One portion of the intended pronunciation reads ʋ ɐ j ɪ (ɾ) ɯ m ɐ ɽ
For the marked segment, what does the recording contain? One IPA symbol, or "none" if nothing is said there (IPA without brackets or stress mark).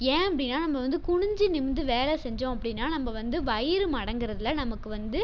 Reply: ɾ